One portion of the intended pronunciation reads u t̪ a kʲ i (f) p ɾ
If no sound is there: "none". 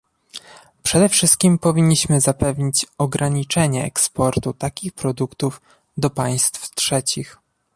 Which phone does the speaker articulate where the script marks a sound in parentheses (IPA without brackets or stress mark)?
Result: x